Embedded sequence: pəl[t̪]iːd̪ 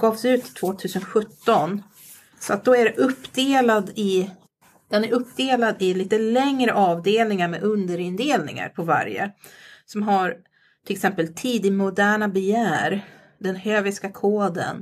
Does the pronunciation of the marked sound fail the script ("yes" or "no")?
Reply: yes